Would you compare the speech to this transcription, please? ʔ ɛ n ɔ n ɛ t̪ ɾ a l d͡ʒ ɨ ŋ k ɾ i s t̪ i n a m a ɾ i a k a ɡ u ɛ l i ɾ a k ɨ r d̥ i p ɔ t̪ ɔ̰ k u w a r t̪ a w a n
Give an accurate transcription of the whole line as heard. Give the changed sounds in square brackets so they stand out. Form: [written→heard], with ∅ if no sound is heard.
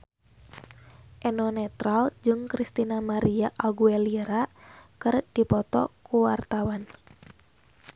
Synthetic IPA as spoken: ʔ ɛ n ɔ n ɛ t̪ ɾ a l d͡ʒ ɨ ŋ k ɾ i s t̪ i n a m a ɾ i a [k→ʔ] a ɡ u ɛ l i ɾ a k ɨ r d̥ i p ɔ t̪ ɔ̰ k u w a r t̪ a w a n

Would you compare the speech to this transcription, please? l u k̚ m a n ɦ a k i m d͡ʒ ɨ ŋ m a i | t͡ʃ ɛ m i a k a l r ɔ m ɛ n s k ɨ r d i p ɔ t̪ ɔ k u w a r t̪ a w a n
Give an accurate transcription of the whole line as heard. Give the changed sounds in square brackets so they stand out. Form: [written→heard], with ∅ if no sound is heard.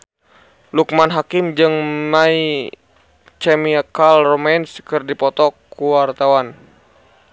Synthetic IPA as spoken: l u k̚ m a n ɦ a k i m d͡ʒ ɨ ŋ m a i | t͡ʃ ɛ m i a k a l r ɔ m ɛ n s k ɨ r d i p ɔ t̪ ɔ k u w a r t̪ a w a n

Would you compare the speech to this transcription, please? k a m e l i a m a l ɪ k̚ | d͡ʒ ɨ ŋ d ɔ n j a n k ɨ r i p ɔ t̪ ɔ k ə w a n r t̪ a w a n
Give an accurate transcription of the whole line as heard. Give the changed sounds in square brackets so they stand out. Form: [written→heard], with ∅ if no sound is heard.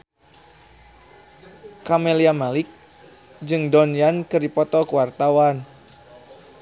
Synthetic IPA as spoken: k a m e l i a m a l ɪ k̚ | d͡ʒ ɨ ŋ d ɔ n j a n k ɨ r i p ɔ t̪ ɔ k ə w a [n→∅] r t̪ a w a n

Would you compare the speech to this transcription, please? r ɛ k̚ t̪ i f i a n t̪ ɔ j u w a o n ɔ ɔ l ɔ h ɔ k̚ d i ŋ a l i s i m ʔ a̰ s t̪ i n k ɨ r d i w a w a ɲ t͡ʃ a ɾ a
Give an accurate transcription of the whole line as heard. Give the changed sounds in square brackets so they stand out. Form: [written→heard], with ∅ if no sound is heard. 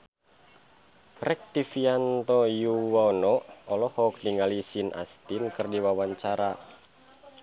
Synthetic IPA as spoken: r ɛ k̚ t̪ i f i a n t̪ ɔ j u w a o n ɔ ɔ l ɔ h ɔ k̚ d i ŋ a l i s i [m→n] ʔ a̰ s t̪ i n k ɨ r d i w a w a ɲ t͡ʃ a ɾ a

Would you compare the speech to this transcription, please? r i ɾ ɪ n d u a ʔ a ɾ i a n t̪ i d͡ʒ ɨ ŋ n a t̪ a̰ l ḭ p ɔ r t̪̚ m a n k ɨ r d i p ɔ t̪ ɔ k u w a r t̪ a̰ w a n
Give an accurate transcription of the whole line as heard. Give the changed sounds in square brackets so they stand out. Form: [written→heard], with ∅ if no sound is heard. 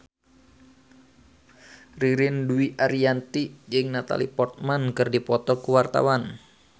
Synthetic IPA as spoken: r i ɾ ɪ n d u [a→i] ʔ a ɾ i a n t̪ i d͡ʒ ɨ ŋ n a t̪ a̰ l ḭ p ɔ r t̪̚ m a n k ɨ r d i p ɔ t̪ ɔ k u w a r t̪ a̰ w a n

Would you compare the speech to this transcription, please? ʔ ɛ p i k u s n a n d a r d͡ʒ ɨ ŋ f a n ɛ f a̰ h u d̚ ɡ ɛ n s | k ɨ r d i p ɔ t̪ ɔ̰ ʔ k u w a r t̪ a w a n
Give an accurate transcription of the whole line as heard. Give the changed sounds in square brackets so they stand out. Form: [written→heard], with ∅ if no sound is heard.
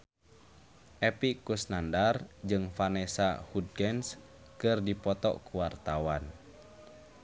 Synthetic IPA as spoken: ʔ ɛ p i k u s n a n d a r d͡ʒ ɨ ŋ f a n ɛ [f→s] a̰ h u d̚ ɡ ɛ n s | k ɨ r d i p ɔ t̪ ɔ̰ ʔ k u w a r t̪ a w a n

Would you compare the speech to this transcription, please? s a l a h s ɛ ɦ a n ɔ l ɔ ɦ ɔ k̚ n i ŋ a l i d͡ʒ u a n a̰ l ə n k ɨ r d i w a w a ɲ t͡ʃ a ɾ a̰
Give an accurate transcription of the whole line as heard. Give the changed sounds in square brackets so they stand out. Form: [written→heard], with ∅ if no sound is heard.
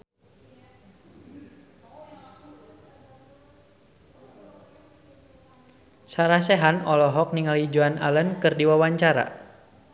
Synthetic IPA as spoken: s a [l→ɾ] a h s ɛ ɦ a n ɔ l ɔ ɦ ɔ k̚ n i ŋ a l i d͡ʒ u a n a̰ l ə n k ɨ r d i w a w a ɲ t͡ʃ a ɾ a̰

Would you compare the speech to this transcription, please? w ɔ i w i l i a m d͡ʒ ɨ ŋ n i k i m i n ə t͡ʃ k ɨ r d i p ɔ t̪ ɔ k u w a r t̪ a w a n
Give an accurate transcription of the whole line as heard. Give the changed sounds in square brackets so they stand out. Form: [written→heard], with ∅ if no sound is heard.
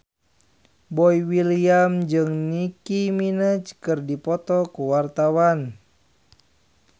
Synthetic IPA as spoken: [w→b] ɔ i w i l i a m d͡ʒ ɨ ŋ n i k i m i n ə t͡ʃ k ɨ r d i p ɔ t̪ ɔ k u w a r t̪ a w a n

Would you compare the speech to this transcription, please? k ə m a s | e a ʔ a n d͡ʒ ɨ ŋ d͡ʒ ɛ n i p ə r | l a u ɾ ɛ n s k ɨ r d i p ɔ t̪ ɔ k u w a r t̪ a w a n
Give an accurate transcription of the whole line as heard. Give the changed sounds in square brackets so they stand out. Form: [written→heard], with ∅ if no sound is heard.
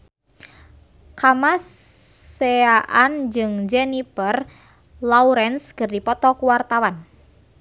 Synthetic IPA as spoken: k [ə→a] m a s | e a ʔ a n d͡ʒ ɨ ŋ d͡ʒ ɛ n i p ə r | l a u ɾ ɛ n s k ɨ r d i p ɔ t̪ ɔ k u w a r t̪ a w a n

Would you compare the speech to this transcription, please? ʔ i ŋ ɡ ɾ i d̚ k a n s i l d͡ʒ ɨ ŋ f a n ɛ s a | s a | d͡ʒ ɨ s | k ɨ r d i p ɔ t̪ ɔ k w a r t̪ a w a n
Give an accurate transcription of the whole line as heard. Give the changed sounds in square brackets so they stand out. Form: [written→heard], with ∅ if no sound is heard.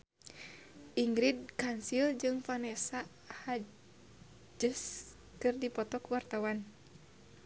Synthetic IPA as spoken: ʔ i ŋ ɡ ɾ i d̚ k a n s i l d͡ʒ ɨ ŋ f a n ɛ s a | [s→h] a | d͡ʒ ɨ s | k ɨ r d i p ɔ t̪ ɔ k w a r t̪ a w a n

